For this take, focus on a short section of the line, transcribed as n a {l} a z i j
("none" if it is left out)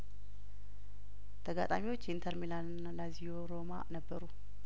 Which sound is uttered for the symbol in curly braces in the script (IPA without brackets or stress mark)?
l